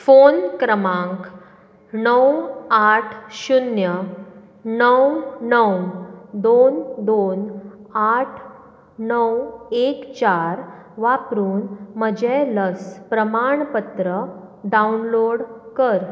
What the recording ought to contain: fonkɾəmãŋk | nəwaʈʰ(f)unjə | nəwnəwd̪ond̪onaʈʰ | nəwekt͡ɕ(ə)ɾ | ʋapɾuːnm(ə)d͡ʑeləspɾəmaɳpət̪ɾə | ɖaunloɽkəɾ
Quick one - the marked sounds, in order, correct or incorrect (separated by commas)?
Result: incorrect, incorrect, correct